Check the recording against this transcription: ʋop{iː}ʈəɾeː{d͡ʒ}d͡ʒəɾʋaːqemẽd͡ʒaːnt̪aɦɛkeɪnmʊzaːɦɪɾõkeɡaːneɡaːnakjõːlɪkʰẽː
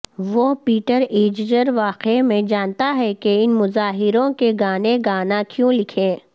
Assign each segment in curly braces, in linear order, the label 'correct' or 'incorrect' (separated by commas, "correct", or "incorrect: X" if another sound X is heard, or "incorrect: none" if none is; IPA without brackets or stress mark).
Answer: correct, correct